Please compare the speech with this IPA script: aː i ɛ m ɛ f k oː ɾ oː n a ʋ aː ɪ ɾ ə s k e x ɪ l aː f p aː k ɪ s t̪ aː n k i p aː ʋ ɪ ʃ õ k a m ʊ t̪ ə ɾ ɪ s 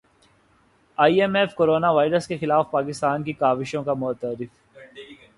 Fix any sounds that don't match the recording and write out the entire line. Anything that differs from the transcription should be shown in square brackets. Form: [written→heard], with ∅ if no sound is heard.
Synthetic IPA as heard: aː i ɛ m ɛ f k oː ɾ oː n a ʋ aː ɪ ɾ ə s k e x ɪ l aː f p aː k ɪ s t̪ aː n k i [p→k] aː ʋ ɪ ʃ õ k a m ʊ t̪ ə ɾ ɪ [s→f]